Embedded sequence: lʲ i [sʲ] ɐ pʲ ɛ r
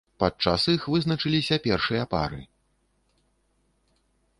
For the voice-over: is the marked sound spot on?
yes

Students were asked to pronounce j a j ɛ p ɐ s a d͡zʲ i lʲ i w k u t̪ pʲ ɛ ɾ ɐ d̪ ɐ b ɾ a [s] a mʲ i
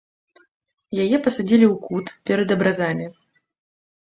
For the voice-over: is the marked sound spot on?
no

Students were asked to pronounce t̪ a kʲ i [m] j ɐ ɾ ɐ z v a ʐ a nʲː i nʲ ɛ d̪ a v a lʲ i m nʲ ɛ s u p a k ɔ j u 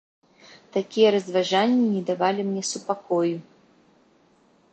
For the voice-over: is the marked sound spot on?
no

